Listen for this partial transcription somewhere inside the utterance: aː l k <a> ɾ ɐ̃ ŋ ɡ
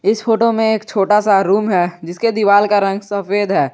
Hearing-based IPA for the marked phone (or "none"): a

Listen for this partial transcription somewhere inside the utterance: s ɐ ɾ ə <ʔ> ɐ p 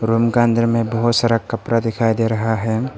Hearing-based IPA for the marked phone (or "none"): k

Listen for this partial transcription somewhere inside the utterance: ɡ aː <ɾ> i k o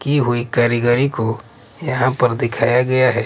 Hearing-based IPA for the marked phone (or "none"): ɾ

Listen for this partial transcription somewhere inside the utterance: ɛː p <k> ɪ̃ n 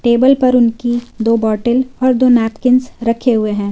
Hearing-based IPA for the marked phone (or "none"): k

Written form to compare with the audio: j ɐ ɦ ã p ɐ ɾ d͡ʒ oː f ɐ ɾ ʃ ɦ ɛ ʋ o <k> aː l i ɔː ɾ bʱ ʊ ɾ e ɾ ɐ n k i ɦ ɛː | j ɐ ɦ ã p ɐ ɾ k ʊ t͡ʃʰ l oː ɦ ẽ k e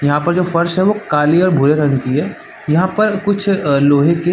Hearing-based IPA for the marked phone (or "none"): k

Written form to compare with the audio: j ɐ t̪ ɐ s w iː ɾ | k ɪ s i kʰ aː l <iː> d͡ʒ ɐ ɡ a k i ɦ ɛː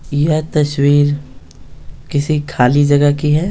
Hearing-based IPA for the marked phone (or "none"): i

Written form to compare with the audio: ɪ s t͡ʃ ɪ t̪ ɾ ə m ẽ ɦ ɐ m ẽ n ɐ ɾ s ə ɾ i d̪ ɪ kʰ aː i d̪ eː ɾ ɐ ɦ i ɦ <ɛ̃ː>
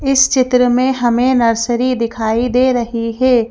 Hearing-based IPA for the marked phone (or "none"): ɛː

